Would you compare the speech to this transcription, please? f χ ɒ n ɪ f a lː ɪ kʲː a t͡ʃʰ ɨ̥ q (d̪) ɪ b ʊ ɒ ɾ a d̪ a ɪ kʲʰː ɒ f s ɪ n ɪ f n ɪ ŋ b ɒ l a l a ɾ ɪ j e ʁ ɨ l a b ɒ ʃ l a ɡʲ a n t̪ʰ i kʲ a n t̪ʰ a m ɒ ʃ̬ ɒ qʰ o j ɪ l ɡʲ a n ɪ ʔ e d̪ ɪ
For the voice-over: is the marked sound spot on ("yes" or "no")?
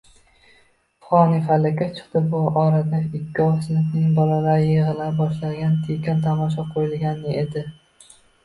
no